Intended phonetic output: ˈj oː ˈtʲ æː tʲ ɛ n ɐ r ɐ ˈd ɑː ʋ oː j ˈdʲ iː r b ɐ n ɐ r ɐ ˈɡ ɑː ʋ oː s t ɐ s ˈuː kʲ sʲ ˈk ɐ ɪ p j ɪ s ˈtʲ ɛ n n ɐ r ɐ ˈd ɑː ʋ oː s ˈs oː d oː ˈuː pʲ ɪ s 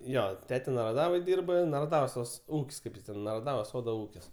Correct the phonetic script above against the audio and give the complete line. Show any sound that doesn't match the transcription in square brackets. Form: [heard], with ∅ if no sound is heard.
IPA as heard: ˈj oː ˈtʲ æː tʲ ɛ n ɐ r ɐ ˈd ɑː ʋ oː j ˈdʲ iː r b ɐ n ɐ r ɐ [ˈd] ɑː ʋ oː s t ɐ s ˈuː kʲ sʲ ˈk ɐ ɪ p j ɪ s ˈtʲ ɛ n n ɐ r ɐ ˈd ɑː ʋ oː s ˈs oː d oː ˈuː [kʲ] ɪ s

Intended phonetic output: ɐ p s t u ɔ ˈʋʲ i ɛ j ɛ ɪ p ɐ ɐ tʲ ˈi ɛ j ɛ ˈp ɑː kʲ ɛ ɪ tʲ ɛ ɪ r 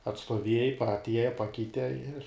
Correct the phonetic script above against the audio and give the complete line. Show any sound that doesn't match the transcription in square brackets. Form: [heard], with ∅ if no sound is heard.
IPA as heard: ɐ [t] s t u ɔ ˈʋʲ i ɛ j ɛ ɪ p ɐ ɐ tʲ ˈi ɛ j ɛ ˈp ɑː kʲ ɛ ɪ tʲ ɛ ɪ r

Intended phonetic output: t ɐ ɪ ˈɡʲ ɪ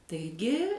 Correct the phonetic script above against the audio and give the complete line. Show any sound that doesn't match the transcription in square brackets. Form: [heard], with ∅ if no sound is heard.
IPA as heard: t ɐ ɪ ˈɡʲ ɪ

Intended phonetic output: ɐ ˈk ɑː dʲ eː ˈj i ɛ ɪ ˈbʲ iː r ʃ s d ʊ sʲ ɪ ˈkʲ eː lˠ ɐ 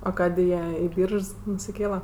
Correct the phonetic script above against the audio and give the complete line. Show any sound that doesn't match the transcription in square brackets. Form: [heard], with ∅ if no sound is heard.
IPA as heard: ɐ ˈk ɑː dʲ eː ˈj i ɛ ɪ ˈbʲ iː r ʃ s [n] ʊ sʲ ɪ ˈkʲ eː lˠ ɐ

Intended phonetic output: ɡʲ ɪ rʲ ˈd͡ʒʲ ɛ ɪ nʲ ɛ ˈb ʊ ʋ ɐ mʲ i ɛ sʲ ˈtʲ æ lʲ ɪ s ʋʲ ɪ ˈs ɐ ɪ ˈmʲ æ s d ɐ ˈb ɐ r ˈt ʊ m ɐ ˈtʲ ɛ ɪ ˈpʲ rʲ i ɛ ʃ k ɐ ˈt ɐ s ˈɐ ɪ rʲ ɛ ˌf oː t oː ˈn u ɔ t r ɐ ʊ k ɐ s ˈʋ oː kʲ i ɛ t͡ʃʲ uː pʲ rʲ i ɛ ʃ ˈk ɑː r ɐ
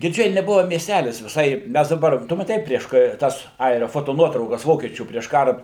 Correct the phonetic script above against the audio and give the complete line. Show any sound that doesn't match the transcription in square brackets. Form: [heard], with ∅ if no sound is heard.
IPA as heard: ɡʲ ɪ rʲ ˈd͡ʒʲ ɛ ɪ nʲ ɛ ˈb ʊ ʋ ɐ mʲ i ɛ sʲ ˈtʲ æ lʲ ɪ s ʋʲ ɪ ˈs ɐ ɪ ˈmʲ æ s d ɐ ˈb ɐ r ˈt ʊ m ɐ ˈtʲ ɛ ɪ ˈpʲ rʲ i ɛ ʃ k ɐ ˈt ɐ s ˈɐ ɪ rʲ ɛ ˌf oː t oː ˈn u ɔ t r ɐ ʊ k ɐ s ˈʋ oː kʲ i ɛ t͡ʃʲ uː pʲ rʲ i ɛ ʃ ˈk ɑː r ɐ

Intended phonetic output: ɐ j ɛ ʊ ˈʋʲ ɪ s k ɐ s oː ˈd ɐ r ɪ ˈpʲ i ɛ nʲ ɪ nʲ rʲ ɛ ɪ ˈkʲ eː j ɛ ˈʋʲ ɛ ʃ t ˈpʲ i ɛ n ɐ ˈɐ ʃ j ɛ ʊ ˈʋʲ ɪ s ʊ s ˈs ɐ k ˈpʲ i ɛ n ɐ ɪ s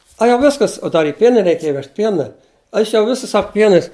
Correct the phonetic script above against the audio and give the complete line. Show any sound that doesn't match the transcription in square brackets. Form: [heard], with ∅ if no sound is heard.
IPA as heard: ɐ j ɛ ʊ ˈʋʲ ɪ s k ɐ s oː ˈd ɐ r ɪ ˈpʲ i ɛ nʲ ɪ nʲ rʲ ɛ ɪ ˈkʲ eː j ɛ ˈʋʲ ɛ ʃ t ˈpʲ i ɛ n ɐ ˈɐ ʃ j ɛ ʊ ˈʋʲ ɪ s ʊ s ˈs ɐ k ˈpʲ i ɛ n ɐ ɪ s

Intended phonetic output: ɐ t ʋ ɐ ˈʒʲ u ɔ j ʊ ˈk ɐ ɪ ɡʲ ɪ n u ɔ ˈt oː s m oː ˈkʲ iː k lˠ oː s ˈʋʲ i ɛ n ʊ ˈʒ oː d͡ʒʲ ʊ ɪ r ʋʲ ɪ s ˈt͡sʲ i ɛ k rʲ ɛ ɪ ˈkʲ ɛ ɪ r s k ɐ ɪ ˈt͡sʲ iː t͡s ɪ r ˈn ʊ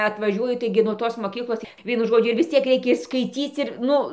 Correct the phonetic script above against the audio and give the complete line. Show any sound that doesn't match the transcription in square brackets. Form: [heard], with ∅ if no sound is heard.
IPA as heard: ɐ t ʋ ɐ ˈʒʲ u ɔ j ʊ [ˈt] ɐ ɪ ɡʲ ɪ n u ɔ ˈt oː s m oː ˈkʲ iː k lˠ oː s ˈʋʲ i ɛ n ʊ ˈʒ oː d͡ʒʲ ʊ ɪ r ʋʲ ɪ s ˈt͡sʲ i ɛ k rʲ ɛ ɪ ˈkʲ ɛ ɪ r s k ɐ ɪ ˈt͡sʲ iː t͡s ɪ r ˈn ʊ

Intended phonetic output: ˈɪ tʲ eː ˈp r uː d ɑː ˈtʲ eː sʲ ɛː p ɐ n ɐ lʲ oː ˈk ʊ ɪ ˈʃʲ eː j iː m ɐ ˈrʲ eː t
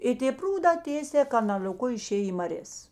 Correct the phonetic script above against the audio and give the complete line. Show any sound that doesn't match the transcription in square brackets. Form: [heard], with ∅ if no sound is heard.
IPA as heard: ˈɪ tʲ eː ˈp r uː d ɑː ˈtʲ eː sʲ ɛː [k] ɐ n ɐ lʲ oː ˈk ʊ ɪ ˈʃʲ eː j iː m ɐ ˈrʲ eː [s]

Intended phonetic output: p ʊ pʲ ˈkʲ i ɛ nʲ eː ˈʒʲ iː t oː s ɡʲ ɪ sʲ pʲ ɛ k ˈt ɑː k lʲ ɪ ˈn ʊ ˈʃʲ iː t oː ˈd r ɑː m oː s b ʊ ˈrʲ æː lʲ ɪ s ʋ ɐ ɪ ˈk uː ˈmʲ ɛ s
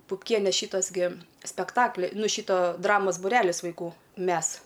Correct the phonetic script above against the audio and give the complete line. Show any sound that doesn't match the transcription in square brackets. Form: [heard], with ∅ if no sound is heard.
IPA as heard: p ʊ pʲ ˈkʲ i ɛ nʲ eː [ˈʃʲ] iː t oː s ɡʲ ɪ sʲ pʲ ɛ k ˈt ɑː k lʲ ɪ ˈn ʊ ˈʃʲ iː t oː ˈd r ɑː m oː s b ʊ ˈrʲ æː lʲ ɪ s ʋ ɐ ɪ ˈk uː ˈmʲ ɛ s

